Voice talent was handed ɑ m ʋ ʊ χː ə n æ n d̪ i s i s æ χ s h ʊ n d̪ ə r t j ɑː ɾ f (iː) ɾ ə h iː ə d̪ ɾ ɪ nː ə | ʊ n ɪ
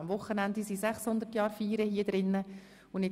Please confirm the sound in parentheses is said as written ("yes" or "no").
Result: yes